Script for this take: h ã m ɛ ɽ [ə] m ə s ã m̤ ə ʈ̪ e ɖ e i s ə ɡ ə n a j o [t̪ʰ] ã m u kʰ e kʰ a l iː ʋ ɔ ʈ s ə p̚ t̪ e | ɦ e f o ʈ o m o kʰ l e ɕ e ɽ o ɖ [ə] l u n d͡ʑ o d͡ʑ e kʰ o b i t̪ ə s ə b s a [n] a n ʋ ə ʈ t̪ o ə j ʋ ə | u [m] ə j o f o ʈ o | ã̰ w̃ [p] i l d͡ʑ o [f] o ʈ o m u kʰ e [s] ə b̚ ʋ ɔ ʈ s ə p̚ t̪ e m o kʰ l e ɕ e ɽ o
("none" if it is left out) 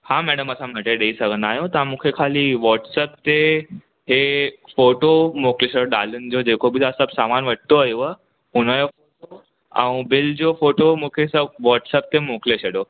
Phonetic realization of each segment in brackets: ə, t̪, a, m, n, b, f, s

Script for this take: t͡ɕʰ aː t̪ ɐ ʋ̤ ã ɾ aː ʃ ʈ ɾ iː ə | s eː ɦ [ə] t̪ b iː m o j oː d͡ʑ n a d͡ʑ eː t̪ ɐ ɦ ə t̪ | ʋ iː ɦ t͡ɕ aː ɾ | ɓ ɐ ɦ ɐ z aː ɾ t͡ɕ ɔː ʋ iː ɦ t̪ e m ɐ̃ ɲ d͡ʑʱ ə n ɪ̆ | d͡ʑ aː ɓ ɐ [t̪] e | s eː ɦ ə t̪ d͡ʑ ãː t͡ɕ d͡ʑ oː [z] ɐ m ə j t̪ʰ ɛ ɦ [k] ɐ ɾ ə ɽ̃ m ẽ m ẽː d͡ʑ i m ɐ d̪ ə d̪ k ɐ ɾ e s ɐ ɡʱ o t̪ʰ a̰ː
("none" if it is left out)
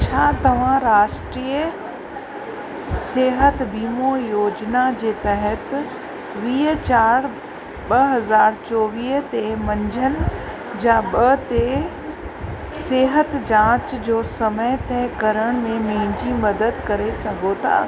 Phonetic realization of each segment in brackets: ə, t̪, s, k

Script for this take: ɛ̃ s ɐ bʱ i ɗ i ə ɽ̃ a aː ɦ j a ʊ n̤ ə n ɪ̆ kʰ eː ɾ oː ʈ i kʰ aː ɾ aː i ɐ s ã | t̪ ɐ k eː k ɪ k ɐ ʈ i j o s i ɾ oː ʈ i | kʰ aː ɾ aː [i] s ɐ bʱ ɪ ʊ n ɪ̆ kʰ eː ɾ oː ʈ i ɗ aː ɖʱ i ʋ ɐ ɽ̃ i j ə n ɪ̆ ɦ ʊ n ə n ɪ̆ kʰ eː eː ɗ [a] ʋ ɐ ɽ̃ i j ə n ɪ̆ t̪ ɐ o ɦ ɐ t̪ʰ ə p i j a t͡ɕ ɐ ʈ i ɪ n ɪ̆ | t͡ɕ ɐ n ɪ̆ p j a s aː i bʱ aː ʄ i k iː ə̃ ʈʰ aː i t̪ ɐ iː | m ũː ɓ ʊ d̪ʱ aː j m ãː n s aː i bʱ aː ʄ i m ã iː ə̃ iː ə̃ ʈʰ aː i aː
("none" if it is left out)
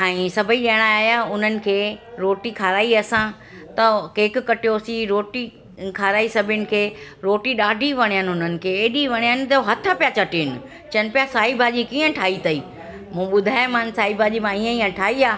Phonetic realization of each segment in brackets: i, i

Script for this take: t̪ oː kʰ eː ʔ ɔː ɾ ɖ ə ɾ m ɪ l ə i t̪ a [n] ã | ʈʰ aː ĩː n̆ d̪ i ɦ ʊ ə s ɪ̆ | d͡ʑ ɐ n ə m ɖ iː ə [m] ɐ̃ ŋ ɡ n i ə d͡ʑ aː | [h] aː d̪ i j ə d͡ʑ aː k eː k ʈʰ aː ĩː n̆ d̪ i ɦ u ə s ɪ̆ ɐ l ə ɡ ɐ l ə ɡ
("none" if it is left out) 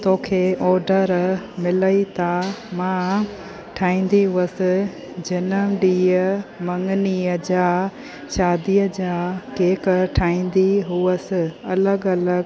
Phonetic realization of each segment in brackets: m, m, ʃ

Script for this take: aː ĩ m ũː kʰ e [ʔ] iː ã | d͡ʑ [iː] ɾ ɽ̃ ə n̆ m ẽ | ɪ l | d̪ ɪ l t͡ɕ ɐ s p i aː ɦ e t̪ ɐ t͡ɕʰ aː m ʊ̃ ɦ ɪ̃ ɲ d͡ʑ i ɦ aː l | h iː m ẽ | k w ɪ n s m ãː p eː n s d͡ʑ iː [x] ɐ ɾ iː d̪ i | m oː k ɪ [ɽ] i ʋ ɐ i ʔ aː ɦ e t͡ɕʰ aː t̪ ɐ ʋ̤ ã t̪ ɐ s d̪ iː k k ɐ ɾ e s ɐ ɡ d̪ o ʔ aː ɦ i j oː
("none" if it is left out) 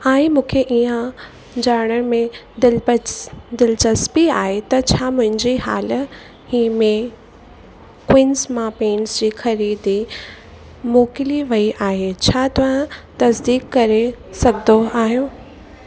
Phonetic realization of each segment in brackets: ʔ, aː, x, l

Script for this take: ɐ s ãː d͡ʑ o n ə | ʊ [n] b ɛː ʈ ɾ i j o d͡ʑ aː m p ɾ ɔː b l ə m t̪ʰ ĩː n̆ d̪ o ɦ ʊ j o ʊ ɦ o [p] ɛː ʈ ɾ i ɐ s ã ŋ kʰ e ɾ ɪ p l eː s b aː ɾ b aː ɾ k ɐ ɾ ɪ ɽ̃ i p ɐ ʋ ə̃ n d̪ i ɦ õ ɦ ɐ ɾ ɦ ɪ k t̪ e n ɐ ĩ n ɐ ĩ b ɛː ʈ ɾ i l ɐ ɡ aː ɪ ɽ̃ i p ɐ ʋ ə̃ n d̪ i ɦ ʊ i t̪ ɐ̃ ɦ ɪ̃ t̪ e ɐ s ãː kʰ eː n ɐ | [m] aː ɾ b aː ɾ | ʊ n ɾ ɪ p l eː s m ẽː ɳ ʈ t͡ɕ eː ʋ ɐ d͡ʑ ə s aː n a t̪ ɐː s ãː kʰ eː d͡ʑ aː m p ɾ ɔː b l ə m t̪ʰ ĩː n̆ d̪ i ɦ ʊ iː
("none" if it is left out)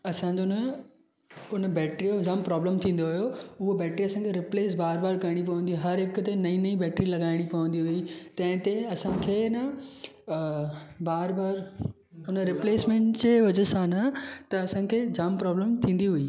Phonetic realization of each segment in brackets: n, b, b

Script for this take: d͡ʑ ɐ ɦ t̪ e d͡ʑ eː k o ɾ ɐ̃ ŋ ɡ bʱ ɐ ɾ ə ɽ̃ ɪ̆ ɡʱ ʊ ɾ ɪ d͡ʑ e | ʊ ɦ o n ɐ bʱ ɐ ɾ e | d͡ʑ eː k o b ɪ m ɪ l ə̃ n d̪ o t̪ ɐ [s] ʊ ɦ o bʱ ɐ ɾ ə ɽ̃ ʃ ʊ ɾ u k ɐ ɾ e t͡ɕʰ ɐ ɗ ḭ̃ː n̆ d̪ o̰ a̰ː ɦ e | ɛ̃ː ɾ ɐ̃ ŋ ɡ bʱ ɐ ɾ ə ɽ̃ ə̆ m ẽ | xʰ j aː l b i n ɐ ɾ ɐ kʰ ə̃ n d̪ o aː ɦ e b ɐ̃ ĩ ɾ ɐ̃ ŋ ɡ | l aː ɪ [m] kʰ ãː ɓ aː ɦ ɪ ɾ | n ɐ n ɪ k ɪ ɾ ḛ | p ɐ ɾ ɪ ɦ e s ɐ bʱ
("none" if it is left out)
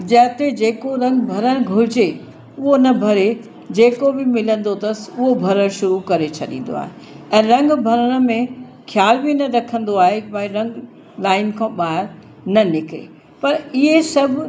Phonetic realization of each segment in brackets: s, n

